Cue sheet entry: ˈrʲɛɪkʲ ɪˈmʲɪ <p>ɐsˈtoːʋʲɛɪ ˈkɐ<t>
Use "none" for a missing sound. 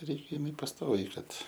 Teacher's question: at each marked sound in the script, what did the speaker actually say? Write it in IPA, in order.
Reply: p, t

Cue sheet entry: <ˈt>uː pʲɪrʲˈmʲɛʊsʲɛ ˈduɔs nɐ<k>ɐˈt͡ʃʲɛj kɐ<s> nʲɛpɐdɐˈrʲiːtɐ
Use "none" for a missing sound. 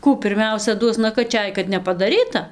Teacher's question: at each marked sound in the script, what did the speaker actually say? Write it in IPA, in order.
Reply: k, k, t

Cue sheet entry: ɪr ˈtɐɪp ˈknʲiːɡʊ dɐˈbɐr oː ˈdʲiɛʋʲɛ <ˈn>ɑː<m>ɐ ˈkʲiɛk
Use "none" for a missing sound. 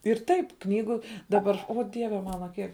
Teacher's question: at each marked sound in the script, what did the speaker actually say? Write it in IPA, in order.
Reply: m, n

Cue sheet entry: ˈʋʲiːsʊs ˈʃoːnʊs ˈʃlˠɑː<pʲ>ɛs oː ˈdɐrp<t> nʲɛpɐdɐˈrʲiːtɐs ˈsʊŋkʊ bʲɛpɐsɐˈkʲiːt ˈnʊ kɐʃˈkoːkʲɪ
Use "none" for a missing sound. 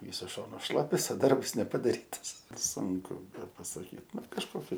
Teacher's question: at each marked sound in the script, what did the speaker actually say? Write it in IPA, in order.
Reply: pʲ, s

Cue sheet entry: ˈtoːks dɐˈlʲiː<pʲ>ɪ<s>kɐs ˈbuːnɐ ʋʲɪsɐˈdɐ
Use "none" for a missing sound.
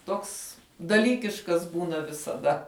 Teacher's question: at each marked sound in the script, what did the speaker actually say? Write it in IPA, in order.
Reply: kʲ, ʃ

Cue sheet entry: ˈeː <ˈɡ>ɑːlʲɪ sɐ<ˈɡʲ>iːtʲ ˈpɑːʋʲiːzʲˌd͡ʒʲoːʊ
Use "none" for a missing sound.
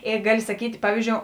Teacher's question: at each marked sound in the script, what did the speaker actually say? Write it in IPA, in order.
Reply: ɡ, kʲ

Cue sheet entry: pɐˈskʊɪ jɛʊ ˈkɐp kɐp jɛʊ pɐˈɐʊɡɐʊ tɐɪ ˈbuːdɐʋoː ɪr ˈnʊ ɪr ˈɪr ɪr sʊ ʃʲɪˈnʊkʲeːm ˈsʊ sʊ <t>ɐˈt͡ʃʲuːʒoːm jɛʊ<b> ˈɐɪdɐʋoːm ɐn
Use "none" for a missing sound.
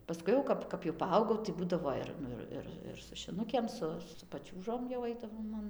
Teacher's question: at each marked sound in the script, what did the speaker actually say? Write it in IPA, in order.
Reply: p, none

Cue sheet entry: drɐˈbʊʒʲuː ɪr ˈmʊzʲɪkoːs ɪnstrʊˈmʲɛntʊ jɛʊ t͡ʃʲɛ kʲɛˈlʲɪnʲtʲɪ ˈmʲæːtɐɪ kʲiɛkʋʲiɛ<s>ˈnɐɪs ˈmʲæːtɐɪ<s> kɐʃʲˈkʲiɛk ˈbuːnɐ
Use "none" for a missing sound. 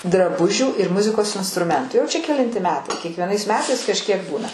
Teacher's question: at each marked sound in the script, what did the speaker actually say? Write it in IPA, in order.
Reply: none, s

